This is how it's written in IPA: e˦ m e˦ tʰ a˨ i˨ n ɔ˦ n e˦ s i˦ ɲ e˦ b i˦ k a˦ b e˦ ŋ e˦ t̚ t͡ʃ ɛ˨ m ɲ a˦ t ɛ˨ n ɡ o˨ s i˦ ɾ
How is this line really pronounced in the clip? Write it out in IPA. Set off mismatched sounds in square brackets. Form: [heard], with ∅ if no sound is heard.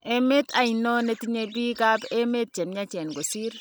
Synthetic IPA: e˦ m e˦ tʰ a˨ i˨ n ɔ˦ n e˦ [t] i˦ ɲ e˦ b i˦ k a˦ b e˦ [m] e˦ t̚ t͡ʃ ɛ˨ m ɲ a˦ [t͡ʃ] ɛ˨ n ɡ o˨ s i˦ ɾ